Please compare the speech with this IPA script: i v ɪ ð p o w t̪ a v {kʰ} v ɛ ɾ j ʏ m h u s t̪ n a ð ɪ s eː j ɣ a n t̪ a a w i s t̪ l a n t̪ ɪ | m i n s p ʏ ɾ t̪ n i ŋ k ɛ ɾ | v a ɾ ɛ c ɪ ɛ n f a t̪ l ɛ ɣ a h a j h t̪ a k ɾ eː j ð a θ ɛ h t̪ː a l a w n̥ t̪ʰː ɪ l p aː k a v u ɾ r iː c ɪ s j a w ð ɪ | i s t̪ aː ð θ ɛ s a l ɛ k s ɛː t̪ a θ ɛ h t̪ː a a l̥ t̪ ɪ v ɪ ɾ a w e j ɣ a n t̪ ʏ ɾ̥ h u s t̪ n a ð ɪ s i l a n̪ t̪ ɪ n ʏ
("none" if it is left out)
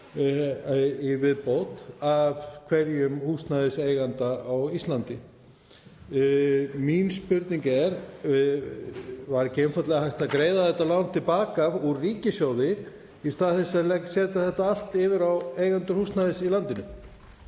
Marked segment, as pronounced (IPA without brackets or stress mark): kʰ